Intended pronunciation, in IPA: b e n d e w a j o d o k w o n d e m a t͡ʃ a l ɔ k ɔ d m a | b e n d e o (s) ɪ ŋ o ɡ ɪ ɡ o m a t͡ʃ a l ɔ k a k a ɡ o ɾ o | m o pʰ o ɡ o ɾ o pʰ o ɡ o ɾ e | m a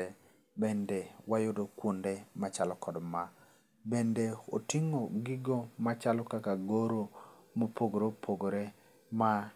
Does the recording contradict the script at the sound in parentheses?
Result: yes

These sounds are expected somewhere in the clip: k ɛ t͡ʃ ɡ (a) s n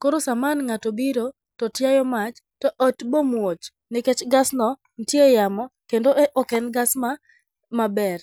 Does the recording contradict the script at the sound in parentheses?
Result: no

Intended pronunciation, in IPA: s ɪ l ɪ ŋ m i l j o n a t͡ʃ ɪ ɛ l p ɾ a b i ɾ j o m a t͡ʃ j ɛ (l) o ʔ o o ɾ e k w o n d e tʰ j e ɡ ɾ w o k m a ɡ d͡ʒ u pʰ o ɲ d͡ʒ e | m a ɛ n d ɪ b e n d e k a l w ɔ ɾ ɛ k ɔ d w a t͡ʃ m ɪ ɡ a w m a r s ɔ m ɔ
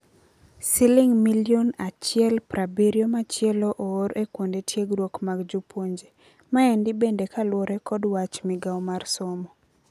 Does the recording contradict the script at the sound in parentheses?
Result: no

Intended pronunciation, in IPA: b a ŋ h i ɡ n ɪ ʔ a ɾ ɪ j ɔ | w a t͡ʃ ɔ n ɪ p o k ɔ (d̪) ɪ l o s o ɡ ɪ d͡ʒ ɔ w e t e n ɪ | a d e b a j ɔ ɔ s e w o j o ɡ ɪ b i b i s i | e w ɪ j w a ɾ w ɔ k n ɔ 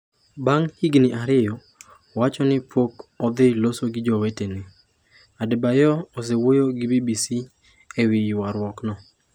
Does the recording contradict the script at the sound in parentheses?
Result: no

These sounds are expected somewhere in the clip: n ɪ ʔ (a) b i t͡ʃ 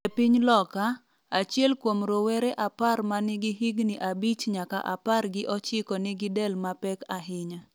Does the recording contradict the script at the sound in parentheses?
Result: no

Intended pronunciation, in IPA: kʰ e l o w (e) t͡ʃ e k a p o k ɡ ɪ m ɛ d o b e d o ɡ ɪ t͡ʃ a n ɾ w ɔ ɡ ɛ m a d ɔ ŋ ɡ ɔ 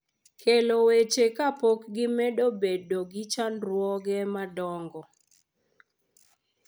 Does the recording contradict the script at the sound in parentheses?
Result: no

